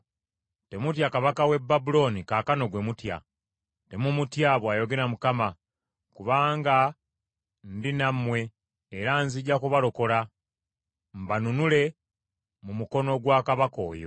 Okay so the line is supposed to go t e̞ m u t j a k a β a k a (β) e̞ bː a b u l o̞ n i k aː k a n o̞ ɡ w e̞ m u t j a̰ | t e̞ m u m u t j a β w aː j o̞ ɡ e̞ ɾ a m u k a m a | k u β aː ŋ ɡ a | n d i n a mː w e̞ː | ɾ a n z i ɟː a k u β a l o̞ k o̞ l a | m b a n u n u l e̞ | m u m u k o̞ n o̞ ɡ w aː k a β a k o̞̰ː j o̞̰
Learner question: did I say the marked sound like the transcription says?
no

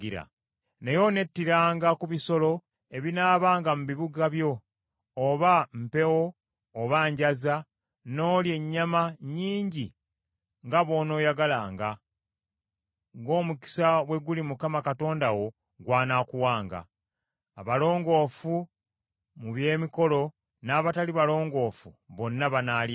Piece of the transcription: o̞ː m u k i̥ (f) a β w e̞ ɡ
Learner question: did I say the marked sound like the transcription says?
no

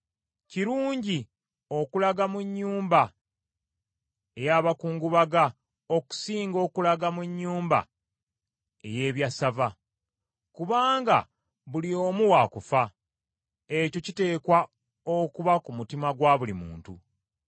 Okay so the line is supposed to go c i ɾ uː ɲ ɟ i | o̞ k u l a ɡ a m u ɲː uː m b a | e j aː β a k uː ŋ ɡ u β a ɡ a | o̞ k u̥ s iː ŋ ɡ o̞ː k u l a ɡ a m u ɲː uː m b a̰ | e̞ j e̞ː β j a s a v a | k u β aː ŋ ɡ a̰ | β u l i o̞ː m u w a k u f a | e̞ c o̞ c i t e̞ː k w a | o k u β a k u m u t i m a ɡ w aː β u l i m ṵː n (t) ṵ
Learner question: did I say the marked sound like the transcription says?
yes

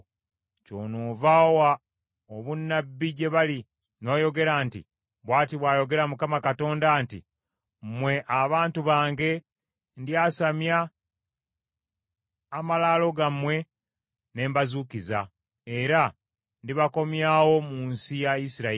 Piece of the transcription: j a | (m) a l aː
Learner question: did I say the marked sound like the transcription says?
yes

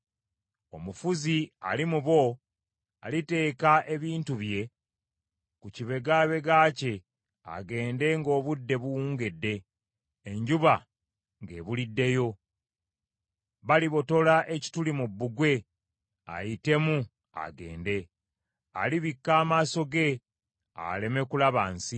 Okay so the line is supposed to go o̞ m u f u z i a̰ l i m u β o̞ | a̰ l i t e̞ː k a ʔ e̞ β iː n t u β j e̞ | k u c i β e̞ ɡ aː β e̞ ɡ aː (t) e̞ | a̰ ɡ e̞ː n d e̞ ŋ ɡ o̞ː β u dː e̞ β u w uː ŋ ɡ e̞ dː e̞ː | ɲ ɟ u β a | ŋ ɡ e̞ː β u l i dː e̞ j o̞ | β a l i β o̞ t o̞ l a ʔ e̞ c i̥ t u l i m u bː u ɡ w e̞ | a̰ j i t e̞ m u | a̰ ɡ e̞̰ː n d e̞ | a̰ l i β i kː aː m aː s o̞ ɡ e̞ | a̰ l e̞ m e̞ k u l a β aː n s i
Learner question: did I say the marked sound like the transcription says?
no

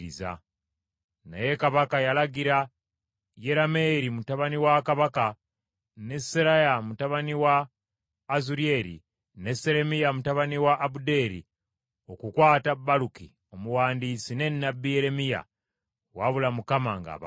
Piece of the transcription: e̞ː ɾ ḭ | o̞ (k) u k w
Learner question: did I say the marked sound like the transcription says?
yes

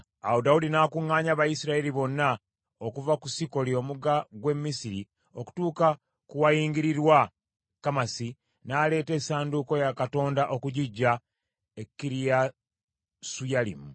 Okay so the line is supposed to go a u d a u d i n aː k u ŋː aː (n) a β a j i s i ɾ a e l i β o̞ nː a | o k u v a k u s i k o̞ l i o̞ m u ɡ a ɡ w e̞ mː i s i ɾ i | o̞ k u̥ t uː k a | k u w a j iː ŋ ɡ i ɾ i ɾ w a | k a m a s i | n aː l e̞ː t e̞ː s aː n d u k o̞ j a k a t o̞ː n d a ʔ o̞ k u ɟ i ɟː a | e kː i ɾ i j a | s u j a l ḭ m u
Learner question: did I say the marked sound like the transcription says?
no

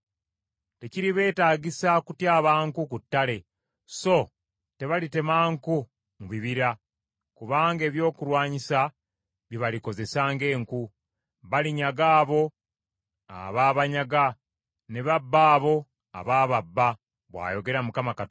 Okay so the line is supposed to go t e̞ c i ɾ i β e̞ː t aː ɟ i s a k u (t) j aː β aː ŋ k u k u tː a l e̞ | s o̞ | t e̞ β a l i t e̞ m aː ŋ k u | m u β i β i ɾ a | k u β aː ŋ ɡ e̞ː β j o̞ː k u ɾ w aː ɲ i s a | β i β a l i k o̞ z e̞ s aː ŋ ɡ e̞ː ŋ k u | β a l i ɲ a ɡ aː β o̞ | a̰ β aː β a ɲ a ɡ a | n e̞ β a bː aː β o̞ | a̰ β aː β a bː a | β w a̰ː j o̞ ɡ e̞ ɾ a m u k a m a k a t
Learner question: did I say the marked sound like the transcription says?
yes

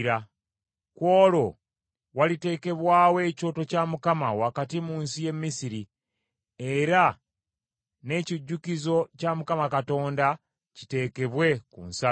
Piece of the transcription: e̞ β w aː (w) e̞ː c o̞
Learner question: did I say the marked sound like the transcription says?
yes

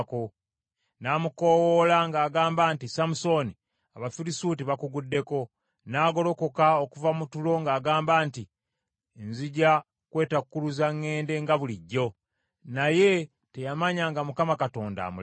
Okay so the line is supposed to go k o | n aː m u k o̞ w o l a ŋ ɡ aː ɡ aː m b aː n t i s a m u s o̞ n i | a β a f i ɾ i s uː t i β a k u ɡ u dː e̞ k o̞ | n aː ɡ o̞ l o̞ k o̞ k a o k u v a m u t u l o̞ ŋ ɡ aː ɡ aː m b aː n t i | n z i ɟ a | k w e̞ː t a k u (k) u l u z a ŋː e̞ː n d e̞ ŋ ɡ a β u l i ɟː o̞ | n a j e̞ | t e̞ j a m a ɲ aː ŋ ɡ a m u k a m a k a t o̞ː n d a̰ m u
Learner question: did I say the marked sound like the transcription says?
yes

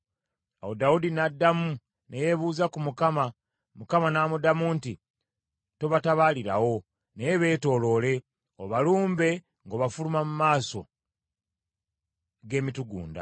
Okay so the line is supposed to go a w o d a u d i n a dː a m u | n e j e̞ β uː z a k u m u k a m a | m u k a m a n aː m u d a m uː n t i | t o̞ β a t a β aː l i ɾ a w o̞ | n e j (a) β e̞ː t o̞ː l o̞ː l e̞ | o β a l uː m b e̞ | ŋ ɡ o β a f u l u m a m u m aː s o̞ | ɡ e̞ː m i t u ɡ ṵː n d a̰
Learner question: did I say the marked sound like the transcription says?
no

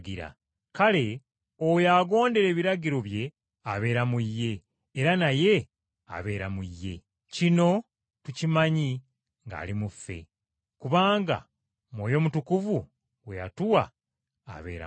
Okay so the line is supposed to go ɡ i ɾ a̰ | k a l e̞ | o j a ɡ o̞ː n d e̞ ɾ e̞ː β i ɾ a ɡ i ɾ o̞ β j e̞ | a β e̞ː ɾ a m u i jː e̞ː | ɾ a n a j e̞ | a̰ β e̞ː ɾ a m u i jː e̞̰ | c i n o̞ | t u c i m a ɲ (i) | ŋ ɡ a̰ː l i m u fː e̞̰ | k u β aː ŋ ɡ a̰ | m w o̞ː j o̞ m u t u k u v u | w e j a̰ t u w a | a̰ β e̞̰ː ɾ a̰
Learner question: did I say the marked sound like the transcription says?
yes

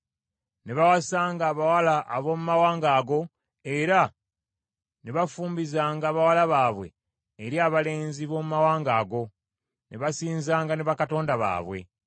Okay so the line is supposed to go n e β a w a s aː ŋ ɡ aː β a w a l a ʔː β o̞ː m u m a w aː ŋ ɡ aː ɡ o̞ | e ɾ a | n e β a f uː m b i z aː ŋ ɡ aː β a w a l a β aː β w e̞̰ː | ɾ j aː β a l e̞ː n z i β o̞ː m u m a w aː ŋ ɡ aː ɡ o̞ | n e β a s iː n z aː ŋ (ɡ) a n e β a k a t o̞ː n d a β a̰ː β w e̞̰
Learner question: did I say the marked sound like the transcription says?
yes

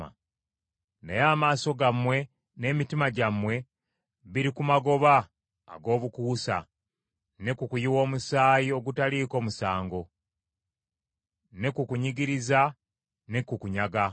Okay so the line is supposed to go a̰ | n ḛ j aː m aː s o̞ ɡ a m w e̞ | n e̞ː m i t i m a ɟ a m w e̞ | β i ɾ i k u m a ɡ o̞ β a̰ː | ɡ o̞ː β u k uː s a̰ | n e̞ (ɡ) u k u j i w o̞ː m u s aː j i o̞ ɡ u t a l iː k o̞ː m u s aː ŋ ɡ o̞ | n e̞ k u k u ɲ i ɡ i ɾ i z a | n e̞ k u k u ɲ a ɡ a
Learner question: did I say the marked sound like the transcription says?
no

